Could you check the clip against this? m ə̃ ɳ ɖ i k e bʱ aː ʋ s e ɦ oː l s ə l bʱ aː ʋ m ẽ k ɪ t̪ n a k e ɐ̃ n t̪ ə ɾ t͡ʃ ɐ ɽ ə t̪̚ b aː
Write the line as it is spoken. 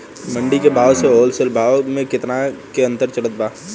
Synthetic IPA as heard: m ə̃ ɳ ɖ i k e bʱ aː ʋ s e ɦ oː l s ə l bʱ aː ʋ m ẽ k ɪ t̪ n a k e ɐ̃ n t̪ ə ɾ t͡ʃ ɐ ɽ ə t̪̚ b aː